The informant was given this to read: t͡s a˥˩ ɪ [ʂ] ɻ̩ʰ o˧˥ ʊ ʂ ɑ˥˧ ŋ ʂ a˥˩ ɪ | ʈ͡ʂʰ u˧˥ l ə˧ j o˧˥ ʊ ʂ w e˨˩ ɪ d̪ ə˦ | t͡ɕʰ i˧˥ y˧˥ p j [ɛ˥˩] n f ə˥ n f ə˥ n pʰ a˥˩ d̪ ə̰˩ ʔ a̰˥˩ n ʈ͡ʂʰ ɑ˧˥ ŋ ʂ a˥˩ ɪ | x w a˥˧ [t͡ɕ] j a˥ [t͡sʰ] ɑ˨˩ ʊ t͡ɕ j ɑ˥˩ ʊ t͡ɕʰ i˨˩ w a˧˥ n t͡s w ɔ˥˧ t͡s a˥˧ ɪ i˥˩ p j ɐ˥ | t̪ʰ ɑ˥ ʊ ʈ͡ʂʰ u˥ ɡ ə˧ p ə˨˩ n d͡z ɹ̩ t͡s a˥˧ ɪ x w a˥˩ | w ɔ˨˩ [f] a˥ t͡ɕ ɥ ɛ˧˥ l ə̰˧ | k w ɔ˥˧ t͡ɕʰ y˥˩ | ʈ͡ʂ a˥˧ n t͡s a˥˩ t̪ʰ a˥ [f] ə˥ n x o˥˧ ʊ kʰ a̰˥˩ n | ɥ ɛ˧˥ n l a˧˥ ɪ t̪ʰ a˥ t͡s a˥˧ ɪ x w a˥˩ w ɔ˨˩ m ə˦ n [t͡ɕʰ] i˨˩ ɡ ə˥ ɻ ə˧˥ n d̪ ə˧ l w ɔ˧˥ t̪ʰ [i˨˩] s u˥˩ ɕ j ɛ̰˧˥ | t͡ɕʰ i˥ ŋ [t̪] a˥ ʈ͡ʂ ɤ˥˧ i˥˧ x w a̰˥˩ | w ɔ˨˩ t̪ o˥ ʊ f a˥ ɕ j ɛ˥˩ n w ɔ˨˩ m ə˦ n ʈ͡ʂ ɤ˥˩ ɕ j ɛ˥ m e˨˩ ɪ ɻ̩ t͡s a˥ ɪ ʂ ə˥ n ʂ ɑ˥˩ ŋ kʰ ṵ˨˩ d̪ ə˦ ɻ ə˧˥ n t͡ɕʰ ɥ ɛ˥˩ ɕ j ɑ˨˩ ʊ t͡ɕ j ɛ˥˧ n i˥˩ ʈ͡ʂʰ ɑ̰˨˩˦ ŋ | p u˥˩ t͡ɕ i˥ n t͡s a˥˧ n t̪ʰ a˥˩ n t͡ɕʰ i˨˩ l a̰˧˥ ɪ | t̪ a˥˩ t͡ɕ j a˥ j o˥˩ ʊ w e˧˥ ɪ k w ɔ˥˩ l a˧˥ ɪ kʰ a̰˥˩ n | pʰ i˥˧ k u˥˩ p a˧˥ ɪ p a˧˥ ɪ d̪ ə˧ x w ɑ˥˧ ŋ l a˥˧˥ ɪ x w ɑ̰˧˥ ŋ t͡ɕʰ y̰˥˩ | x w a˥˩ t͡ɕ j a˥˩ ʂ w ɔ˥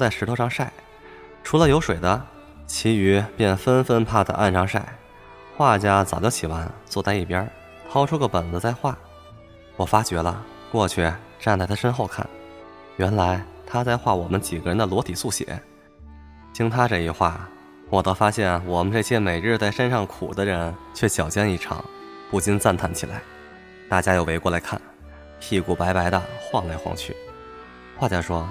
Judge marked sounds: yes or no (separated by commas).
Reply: yes, yes, yes, no, yes, no, no, yes, no